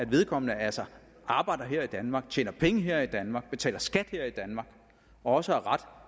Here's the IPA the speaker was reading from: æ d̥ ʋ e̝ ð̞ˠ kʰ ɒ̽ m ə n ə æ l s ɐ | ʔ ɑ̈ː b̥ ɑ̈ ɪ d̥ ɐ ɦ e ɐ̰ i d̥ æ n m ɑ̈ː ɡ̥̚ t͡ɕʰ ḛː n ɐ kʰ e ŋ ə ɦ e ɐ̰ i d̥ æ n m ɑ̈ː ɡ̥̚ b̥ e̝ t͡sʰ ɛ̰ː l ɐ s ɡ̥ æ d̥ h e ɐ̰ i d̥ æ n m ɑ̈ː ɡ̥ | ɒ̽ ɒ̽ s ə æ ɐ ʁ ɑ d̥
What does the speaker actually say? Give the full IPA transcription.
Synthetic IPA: æ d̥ ʋ e̝ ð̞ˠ kʰ ɒ̽ m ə n ə æ l s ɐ | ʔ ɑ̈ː b̥ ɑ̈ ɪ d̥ ɐ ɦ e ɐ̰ i d̥ æ n m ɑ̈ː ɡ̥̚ t͡ɕʰ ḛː n ɐ pʰ e ŋ ə ɦ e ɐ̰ i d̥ æ n m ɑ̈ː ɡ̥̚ b̥ e̝ t͡sʰ ɛ̰ː l ɐ s ɡ̥ æ d̥ h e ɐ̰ i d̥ æ n m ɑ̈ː ɡ̥ | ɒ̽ ɒ̽ s ə æ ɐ ʁ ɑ d̥

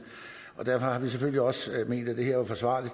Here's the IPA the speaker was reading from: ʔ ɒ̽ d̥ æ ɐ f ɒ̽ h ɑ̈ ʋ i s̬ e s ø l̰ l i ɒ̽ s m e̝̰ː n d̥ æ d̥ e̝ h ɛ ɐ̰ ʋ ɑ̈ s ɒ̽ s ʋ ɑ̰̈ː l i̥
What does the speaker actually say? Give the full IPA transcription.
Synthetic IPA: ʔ ɒ̽ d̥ æ ɐ f ɒ̽ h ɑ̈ ʋ i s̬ e f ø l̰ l i ɒ̽ s m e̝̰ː n d̥ æ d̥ e̝ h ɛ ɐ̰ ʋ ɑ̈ f ɒ̽ s ʋ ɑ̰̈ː l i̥

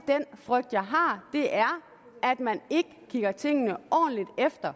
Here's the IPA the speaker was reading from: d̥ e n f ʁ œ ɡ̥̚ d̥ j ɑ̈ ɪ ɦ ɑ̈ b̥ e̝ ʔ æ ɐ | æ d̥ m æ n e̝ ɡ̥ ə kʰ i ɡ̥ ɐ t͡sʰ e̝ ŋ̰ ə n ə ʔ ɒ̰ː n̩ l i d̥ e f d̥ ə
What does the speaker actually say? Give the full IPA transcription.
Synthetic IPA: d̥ e n f ʁ œ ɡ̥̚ d̥ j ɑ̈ ɪ ɦ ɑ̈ d̥ e̝ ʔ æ ɐ | æ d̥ m æ n e̝ ɡ̥ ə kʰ i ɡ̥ ɐ t͡sʰ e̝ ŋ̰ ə n ə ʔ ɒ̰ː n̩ l i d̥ e f d̥ ɐ

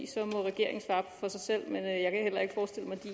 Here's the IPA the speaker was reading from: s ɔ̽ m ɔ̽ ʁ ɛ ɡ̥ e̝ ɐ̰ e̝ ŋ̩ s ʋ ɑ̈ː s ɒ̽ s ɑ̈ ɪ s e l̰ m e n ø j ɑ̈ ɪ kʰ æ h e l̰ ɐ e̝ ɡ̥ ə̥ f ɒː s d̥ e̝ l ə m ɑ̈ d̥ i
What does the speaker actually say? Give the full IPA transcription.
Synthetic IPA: s ɒ̽ m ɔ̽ ʁ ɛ ɡ̥ e̝ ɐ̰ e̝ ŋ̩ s ʋ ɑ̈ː f ɒ̽ s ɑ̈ ɪ s e l̰ m e n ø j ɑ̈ ɪ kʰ æ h e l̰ ɐ e̝ ɡ̥ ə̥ f ɒː s d̥ e̝ l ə m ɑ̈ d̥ i

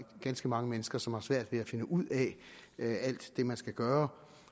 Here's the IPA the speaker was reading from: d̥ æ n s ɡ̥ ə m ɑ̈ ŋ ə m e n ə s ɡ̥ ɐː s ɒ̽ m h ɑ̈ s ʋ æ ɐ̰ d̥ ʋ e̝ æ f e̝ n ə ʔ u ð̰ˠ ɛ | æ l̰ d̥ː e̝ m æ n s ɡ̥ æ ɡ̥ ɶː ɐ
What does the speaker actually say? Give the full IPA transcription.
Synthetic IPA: ɡ̥ æ n s ɡ̥ ə m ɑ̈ ŋ ə m e n ə s ɡ̥ ɐ s ɒ̽ m h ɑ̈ s ʋ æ ɐ̰ d̥ ʋ e̝ æ f e̝ n ə ʔ u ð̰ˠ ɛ | æ l̰ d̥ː e̝ m æ n s ɡ̥ æ ɡ̥ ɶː ɐ

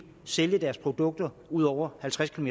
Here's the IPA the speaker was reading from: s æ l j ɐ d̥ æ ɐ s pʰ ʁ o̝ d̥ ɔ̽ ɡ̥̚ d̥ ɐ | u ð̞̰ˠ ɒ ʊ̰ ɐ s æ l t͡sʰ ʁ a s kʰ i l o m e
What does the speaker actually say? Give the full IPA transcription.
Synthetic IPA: s e l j ə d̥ æ ɐ s pʰ ʁ o̝ d̥ ɔ̽ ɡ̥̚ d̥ ɐ | u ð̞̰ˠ ɒ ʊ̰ ɐ h æ l t͡sʰ ʁ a s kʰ i l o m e

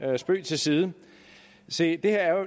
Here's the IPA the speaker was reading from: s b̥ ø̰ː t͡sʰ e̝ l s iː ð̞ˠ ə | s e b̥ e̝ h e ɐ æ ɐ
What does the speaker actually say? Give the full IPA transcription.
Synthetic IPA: s b̥ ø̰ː t͡sʰ e̝ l s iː ð̞ˠ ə | s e d̥ e̝ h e ɐ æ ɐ

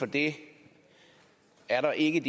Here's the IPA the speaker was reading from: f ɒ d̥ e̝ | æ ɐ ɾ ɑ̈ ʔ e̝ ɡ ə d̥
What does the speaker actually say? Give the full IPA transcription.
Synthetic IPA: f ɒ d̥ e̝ | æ ɐ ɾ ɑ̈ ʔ e̝ ɡ ə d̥

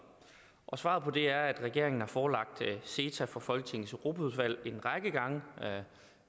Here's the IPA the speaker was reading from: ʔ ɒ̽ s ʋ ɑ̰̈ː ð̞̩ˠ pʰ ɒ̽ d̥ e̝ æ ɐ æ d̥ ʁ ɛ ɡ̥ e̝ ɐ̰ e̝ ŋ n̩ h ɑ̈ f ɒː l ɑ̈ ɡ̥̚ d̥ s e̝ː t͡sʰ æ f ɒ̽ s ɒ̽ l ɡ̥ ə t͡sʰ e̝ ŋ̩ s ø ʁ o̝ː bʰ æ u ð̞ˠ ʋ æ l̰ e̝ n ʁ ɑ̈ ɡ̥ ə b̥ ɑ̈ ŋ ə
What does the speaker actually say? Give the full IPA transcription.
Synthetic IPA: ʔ ɒ̽ s ʋ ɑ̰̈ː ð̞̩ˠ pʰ ɒ̽ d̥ e̝ æ ɐ æ d̥ ʁ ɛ ɡ̥ e̝ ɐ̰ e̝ ŋ n̩ h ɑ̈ f ɒː l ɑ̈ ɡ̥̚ d̥ s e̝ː t͡sʰ æ f ɒ̽ f ɒ̽ l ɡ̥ ə t͡sʰ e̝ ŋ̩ s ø ʁ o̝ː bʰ æ u ð̞ˠ ʋ æ l̰ e̝ n ʁ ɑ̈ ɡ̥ ə ɡ̥ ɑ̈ ŋ ə

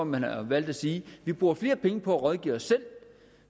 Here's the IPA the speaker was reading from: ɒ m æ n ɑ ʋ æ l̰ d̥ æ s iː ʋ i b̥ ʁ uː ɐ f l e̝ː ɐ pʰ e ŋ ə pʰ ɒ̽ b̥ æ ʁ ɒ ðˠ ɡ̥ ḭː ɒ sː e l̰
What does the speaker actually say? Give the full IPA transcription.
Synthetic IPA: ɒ m æ n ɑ ʋ æ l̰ d̥ æ s iː ʋ i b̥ ʁ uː ɐ f l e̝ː ɐ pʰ e ŋ ə pʰ ɒ̽ æ ʁ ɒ ðˠ ɡ̥ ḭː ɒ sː e l̰

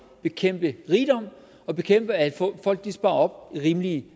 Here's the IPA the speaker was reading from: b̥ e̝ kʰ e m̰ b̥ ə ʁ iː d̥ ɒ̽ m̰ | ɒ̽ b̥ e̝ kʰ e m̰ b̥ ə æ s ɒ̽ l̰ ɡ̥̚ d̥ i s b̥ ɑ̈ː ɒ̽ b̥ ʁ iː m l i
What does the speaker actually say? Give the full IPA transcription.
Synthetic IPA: b̥ e̝ kʰ e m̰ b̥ ə ʁ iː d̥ ɒ̽ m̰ | ɒ̽ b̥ e̝ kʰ e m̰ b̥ ə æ f ɒ̽ l̰ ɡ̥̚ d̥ i s b̥ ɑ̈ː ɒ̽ b̥ ʁ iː m l i

